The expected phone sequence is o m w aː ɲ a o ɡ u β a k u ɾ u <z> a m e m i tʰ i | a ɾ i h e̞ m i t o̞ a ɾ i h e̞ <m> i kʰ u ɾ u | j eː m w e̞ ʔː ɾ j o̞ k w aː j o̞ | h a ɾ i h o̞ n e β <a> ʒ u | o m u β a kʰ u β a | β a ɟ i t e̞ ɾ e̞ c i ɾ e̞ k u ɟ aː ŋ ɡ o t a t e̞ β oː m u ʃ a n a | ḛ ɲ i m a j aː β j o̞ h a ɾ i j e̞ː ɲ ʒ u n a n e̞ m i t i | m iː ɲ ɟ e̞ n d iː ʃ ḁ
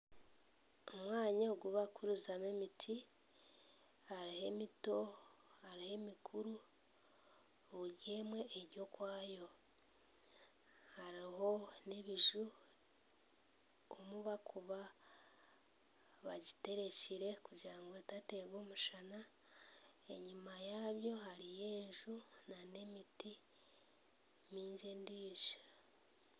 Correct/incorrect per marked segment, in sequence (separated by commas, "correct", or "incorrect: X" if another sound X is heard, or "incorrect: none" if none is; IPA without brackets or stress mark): correct, correct, incorrect: i